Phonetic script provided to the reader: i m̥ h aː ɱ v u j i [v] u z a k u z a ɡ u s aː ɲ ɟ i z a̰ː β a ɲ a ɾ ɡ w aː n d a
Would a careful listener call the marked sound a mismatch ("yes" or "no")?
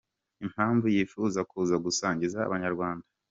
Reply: yes